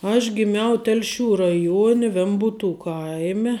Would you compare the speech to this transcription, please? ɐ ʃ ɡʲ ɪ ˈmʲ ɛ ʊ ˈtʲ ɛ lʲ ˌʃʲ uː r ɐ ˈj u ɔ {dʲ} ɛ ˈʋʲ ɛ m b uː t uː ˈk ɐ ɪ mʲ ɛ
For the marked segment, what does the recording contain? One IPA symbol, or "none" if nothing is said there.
nʲ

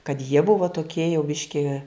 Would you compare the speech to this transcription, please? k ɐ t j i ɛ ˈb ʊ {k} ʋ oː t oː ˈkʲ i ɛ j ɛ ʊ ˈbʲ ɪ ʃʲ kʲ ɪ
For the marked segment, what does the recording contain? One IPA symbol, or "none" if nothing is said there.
none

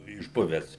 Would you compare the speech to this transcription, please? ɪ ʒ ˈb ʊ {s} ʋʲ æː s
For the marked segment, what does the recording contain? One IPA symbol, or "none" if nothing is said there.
none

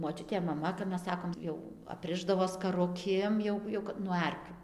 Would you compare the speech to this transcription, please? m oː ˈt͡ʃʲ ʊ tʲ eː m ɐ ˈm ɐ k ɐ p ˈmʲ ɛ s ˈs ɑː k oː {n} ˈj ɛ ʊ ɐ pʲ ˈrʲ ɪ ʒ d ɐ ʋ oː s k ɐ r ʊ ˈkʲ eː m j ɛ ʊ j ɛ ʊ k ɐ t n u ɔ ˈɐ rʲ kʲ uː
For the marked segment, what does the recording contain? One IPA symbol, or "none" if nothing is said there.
m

